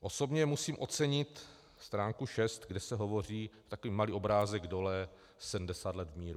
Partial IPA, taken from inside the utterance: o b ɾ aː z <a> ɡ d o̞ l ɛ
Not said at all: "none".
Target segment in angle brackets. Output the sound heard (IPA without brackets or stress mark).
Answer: ɛ